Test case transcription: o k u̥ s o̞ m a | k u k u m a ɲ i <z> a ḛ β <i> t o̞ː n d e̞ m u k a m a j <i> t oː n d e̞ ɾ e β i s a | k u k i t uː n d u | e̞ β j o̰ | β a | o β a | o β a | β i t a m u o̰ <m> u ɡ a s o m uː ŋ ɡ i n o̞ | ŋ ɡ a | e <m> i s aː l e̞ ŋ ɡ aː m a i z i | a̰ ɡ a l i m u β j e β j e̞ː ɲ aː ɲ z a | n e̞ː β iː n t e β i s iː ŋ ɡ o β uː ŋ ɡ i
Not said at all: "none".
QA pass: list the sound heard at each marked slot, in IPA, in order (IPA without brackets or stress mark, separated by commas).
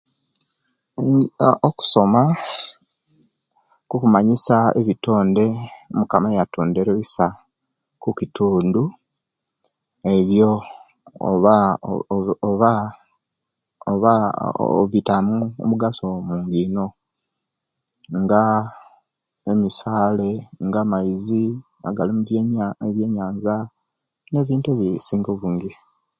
s, i, a, m, m